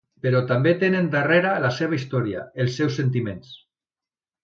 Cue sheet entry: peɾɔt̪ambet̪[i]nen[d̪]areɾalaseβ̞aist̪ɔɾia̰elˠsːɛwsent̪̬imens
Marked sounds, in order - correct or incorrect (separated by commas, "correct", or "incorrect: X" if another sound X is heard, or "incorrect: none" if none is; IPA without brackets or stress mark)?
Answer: incorrect: e, correct